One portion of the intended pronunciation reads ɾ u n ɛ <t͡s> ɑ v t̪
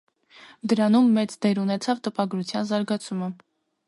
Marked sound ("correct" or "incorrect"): incorrect